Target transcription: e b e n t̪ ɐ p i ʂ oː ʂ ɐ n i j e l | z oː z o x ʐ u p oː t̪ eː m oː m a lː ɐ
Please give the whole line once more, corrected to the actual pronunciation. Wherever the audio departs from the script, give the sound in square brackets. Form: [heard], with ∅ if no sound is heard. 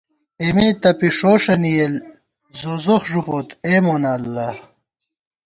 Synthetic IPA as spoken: e [m] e [∅] t̪ ɐ p i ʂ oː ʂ ɐ n i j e l | z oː z o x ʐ u p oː t̪ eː m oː [n] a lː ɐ